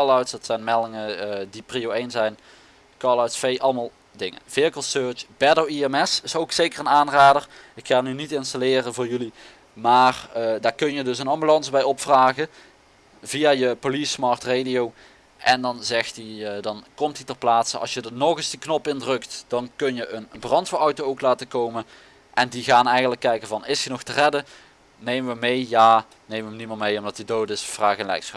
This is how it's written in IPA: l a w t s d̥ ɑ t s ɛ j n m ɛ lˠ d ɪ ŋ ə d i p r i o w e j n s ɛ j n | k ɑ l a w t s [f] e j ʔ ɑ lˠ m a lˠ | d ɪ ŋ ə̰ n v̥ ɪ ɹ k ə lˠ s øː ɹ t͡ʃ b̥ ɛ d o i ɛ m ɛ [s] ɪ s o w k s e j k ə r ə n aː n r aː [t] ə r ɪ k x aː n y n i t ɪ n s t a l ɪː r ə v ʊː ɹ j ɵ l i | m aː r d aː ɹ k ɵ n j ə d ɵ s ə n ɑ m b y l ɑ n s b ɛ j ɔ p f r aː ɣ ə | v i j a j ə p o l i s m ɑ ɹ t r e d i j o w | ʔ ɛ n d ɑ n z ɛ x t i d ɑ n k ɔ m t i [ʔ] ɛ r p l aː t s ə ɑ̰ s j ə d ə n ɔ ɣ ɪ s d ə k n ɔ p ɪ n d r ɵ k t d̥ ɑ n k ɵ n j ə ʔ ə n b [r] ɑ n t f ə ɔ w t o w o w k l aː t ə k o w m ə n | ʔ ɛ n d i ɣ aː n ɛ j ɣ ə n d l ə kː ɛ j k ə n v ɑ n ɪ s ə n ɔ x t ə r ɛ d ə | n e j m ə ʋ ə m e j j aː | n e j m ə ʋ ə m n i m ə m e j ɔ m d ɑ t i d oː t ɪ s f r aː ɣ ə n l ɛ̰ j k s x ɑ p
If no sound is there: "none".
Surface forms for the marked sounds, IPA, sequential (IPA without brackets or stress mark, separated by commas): f, s, d, t, r